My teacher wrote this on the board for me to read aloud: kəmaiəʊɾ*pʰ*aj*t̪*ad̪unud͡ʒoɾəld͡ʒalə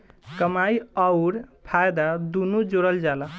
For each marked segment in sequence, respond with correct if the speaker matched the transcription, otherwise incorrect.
correct, incorrect: d̪

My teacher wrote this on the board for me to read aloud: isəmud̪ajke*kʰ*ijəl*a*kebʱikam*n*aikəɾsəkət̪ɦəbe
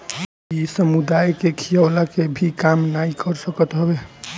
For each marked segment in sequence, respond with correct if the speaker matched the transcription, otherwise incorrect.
correct, correct, correct

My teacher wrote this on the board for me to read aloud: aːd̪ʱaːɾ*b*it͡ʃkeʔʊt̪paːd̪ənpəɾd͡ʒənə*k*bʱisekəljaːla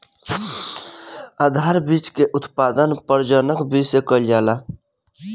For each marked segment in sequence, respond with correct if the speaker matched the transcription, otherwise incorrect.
correct, correct

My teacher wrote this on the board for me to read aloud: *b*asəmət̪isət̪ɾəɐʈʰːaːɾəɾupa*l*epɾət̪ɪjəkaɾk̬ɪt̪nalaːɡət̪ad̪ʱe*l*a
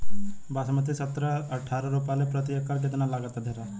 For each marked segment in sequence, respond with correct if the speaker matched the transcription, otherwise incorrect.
correct, correct, incorrect: ɾ

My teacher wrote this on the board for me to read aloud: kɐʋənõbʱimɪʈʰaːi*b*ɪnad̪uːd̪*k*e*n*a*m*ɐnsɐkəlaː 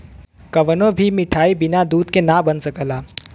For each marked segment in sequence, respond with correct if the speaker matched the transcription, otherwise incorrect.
correct, correct, correct, incorrect: b

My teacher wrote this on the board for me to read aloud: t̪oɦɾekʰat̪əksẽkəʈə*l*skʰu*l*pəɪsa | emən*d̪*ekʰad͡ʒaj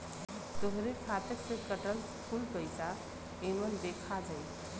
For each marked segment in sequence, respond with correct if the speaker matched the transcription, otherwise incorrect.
correct, correct, correct

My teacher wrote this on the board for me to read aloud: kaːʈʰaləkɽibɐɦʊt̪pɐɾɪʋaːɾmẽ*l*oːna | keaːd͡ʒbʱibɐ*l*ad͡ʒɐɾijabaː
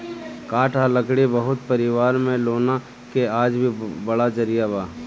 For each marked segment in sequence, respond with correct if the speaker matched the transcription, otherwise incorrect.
correct, incorrect: ɽ

